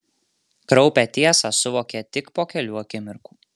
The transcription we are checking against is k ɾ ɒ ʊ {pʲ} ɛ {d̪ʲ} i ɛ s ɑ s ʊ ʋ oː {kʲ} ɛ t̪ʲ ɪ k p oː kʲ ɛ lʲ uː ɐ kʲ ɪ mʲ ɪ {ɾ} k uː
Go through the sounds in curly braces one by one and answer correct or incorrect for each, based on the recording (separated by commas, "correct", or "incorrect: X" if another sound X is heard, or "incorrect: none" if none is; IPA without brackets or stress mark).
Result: correct, incorrect: t̪ʲ, correct, correct